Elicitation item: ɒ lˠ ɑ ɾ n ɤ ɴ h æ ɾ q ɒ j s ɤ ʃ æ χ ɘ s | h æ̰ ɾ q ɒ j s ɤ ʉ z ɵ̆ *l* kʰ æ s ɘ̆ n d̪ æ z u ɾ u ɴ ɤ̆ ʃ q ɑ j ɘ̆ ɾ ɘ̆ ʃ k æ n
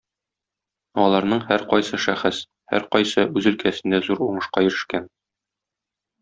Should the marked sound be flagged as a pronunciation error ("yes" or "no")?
no